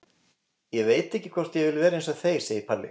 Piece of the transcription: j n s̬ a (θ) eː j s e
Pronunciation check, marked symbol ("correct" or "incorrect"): correct